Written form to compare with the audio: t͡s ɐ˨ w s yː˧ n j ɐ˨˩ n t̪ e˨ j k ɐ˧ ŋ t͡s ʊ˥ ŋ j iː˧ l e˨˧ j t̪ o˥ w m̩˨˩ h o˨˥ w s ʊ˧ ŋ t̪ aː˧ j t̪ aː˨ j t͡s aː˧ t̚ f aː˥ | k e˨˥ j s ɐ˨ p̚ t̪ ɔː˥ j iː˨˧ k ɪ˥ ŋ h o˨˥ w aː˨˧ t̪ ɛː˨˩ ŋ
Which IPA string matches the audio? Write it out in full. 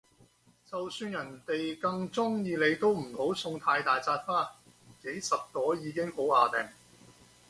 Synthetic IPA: t͡s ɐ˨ w s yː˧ n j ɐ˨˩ n t̪ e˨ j k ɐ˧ ŋ t͡s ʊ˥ ŋ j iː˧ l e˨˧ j t̪ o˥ w m̩˨˩ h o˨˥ w s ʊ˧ ŋ t̪ʰ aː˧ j t̪ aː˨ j t͡s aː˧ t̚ f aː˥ | k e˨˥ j s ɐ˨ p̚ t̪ ɔː˨˥ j iː˨˧ k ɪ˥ ŋ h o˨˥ w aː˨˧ t̪ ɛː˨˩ ŋ

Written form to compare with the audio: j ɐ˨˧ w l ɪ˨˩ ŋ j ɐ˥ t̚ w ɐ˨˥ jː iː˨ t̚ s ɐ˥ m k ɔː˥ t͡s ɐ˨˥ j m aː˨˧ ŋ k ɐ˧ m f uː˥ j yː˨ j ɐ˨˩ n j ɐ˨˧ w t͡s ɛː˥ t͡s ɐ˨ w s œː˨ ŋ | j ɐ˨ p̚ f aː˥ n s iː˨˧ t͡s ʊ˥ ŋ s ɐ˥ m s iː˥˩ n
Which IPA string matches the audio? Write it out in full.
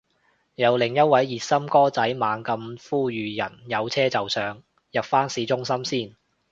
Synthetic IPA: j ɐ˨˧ w l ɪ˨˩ ŋ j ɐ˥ t̚ w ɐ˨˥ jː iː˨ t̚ s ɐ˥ m k ɔː˥ t͡s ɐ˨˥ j m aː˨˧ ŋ k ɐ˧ m f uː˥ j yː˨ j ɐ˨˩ n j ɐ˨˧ w t͡sʰ ɛː˥ t͡s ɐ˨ w s œː˨ ŋ | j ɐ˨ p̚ f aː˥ n s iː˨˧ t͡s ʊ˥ ŋ s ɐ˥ m s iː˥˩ n

